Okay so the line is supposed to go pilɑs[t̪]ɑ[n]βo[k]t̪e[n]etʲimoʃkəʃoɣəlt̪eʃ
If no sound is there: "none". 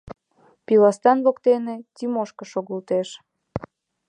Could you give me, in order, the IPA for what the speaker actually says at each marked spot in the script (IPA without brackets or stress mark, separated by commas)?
t̪, n, k, n